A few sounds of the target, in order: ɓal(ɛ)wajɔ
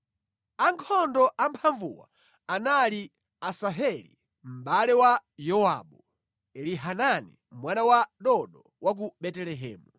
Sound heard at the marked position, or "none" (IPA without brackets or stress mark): ɛ